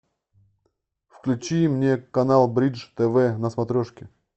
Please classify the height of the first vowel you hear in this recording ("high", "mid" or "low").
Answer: high